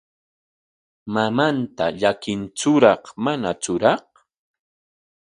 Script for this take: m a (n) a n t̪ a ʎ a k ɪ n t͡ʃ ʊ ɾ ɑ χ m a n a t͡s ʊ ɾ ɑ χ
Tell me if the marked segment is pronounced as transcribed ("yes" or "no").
no